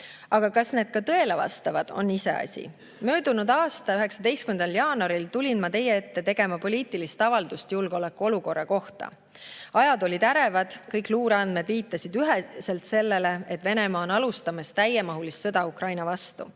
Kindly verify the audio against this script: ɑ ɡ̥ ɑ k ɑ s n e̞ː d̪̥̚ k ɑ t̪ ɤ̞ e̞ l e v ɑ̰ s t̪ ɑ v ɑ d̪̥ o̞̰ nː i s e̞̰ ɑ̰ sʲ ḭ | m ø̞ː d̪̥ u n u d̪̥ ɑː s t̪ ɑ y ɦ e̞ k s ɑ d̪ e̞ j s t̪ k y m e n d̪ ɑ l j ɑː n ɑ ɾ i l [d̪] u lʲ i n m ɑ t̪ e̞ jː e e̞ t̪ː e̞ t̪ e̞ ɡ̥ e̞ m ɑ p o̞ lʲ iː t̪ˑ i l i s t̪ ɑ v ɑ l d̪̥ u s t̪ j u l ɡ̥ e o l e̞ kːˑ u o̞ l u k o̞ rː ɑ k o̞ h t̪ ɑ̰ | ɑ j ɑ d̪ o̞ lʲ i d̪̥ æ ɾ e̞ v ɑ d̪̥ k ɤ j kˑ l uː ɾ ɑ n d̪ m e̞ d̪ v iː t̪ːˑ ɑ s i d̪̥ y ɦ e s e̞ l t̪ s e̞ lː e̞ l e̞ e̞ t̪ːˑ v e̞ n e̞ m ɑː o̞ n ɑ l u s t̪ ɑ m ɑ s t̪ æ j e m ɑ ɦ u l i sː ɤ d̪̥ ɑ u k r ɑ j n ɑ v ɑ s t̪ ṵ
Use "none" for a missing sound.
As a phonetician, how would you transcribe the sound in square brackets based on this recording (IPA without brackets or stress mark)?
t̪